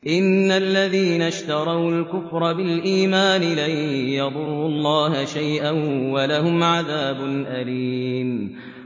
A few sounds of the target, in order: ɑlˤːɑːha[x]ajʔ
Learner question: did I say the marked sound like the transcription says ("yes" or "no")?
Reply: no